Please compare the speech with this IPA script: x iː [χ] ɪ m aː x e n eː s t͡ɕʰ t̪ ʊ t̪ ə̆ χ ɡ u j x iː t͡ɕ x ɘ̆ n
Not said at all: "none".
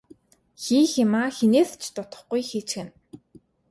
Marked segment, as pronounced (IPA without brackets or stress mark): x